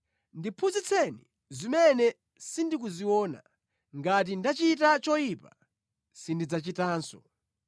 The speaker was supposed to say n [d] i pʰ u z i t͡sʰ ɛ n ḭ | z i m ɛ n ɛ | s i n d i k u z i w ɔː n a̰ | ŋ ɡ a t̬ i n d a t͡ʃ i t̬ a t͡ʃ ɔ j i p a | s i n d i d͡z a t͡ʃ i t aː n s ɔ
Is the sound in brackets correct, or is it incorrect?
correct